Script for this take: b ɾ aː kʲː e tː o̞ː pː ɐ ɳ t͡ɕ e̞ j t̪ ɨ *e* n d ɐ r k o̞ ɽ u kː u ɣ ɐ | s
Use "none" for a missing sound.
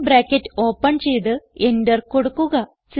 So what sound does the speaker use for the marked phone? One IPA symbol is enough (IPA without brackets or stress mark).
e